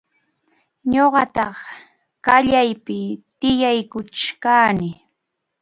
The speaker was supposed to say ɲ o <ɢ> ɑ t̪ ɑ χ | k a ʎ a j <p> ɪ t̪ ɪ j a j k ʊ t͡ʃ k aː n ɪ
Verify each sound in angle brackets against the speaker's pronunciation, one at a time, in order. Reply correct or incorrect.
correct, correct

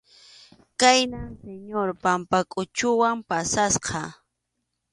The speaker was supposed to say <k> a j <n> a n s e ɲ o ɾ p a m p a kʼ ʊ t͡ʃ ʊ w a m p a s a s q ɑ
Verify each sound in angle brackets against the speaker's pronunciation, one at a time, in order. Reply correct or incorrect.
correct, correct

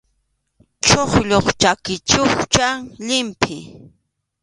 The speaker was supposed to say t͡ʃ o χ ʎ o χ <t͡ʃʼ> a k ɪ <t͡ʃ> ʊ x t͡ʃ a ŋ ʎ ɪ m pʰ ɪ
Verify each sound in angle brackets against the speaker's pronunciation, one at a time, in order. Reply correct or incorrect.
incorrect: t͡ʃ, correct

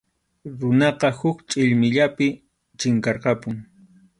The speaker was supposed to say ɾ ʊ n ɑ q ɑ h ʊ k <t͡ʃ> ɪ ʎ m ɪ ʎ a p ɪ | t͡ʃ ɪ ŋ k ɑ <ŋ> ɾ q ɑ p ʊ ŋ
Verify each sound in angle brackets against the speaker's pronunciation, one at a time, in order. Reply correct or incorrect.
incorrect: t͡ʃʼ, incorrect: none

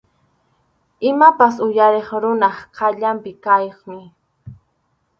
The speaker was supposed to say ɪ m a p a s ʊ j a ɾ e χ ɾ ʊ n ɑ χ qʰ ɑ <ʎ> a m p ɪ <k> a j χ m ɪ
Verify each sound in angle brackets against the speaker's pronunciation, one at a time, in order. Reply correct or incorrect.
correct, correct

